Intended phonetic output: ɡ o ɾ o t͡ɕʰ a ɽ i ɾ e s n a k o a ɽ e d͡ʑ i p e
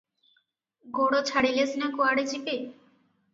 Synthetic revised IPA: ɡ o ɽ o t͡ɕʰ a ɽ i l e s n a k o a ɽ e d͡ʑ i p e